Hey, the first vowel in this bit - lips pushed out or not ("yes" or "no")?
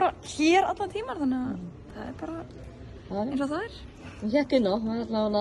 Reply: no